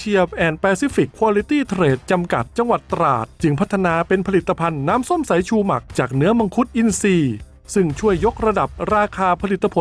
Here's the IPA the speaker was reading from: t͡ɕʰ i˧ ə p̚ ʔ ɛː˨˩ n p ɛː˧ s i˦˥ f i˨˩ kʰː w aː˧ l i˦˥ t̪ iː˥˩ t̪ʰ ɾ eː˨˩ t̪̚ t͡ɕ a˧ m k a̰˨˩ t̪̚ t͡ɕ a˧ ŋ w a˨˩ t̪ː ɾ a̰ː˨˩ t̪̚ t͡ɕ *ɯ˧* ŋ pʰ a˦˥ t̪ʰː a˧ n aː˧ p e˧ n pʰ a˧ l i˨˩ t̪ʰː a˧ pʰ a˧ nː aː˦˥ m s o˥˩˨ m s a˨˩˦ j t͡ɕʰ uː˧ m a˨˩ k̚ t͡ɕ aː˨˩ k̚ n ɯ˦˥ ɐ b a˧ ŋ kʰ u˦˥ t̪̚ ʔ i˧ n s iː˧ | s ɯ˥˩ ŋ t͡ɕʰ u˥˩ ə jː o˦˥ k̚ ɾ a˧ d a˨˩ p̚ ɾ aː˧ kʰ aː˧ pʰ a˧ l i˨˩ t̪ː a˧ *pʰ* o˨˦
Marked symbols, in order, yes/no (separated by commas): yes, yes